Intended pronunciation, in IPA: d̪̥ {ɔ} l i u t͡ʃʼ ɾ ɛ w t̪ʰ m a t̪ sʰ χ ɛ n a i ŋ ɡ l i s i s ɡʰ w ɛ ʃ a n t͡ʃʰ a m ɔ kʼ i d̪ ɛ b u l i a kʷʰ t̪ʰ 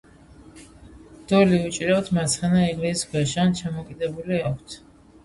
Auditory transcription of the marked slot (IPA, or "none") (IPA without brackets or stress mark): ɔ